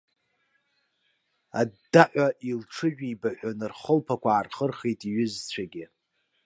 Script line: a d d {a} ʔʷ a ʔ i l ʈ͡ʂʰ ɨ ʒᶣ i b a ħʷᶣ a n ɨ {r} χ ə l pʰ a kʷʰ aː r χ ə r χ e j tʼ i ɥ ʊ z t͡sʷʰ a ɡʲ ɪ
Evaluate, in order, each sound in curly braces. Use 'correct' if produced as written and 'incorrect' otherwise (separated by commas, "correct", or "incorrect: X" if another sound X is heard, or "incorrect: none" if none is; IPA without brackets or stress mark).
correct, correct